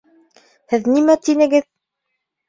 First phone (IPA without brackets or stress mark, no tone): h